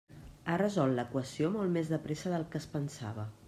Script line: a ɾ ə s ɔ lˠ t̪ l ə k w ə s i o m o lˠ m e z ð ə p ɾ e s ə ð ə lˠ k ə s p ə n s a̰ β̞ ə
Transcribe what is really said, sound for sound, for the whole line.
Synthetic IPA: a r ə z ɔ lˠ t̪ l ə k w ə s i o m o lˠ m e z ð ə p ɾ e s ə ð ə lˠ k ə s p ə n s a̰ β̞ ə